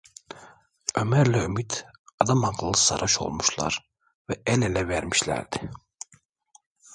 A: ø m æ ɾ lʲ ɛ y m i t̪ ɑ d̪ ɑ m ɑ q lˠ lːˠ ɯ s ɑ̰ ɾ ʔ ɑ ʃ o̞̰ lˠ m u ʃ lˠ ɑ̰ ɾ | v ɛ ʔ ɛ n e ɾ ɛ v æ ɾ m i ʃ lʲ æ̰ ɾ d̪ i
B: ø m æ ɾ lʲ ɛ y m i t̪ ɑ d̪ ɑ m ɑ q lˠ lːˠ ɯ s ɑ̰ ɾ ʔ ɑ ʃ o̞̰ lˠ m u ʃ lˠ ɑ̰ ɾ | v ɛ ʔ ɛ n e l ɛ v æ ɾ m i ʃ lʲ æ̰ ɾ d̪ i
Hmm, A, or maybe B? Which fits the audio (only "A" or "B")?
B